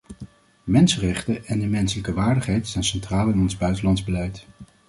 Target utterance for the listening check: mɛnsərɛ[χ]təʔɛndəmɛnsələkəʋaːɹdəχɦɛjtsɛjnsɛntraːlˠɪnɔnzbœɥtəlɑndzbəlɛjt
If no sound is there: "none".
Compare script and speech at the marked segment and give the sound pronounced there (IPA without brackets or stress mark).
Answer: χ